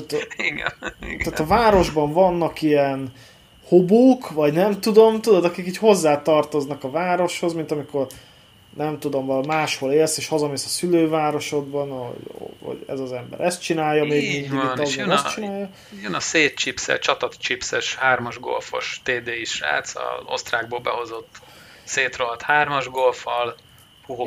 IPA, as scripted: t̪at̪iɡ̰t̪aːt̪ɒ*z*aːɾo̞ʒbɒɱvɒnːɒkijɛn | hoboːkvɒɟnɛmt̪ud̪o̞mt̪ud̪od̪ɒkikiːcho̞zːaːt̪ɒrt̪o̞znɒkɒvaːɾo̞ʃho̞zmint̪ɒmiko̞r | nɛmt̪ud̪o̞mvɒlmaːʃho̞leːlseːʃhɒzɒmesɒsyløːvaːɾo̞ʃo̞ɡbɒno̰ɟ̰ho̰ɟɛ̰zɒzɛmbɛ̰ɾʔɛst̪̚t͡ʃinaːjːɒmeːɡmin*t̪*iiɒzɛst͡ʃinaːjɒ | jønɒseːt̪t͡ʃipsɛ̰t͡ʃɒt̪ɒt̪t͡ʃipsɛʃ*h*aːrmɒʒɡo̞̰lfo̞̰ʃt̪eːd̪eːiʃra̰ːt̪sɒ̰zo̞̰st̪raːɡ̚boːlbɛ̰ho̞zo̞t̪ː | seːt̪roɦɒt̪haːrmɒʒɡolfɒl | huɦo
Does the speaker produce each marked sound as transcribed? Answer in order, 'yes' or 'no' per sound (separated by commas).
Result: no, no, yes